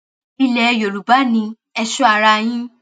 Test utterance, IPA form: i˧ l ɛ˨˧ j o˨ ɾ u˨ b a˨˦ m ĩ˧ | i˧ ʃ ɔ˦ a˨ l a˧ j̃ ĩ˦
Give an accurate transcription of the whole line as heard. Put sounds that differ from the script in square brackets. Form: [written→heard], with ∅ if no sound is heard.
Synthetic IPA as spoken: i˧ l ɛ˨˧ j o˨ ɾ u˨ b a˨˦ [m→n] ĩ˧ | [i˧→ɛ˧] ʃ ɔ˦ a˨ [l→ɾ] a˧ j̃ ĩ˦

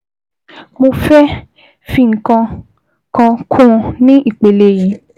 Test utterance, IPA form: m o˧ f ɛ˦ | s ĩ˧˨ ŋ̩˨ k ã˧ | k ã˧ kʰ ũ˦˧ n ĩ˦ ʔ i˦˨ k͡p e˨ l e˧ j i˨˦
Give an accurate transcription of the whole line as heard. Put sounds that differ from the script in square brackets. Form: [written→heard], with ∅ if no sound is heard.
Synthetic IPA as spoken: m o˧ f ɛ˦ | [s→f] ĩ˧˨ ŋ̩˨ k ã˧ | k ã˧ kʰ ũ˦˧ n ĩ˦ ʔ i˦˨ k͡p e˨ l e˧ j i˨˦

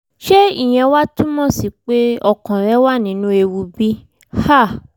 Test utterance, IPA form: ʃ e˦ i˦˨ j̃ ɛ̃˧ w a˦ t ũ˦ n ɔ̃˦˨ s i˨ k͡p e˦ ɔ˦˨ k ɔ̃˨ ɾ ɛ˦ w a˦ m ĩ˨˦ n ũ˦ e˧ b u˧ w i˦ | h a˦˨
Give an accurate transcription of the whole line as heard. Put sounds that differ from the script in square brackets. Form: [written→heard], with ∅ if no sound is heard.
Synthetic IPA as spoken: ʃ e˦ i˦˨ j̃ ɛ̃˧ w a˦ t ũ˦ [n→m] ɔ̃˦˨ s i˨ k͡p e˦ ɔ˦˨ k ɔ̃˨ ɾ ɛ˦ w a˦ [m→n] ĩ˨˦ n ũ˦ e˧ [b→w] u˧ [w→b] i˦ | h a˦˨

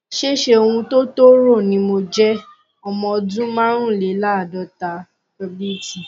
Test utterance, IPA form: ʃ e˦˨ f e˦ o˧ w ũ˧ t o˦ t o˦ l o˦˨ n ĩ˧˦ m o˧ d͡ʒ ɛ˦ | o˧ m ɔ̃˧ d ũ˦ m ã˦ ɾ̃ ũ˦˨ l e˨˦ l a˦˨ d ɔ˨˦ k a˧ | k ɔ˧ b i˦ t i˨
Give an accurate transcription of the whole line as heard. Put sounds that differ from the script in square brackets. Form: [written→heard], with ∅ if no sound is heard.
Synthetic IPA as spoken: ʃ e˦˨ [f→ʃ] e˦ o˧ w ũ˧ t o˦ t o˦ [l→ɾ] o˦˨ n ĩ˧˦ m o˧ d͡ʒ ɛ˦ | [o˧→ɔ˧] m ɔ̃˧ d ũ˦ m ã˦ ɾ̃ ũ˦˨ l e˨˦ l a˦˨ d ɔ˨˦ [k→t] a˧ | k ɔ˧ b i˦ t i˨

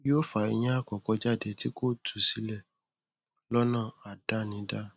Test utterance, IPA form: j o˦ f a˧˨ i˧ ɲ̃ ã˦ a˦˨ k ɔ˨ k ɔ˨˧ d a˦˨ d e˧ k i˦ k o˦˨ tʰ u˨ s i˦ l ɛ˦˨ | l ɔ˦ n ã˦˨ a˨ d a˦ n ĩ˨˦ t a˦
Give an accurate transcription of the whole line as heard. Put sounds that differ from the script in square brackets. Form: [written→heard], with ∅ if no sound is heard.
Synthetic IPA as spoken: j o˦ f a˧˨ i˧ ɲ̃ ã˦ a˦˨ k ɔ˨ k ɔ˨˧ [d→d͡ʒ] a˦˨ d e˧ [k→t] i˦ k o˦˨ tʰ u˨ s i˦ l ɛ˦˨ | l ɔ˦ n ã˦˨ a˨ d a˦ n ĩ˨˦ [t→d] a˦

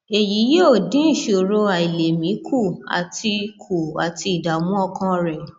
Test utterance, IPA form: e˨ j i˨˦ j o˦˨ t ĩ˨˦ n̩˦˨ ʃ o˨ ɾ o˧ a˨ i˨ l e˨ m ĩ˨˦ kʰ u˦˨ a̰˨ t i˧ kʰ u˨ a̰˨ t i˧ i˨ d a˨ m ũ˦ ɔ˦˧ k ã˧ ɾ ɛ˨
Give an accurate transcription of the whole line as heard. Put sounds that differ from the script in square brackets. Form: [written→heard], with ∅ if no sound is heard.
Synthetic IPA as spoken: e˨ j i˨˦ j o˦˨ [t→d] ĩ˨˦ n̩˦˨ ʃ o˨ ɾ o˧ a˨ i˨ l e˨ m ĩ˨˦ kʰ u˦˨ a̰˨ t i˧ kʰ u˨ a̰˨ t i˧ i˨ d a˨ m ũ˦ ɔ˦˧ k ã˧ ɾ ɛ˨

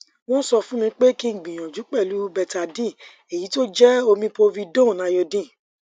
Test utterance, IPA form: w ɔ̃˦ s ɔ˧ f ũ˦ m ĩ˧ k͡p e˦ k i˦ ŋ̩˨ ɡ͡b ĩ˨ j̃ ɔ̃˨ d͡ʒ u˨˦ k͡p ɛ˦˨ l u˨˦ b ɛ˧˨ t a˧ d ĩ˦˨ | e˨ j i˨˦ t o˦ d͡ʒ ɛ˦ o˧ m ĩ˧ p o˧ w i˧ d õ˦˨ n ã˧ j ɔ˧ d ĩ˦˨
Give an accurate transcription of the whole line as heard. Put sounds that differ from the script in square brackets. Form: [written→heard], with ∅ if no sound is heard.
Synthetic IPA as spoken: w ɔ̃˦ s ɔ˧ f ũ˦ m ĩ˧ k͡p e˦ k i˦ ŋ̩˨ ɡ͡b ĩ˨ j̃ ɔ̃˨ d͡ʒ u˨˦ k͡p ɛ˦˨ l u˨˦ b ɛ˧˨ t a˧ d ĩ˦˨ | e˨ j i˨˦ t o˦ d͡ʒ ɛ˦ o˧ m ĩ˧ p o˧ [w→v] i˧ d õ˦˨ n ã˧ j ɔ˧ d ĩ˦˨

